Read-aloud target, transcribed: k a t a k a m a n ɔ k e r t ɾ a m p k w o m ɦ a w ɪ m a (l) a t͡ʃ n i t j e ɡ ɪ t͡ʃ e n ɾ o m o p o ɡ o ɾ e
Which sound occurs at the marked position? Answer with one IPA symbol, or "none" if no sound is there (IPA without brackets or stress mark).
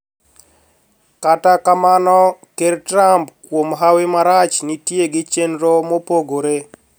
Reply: ɾ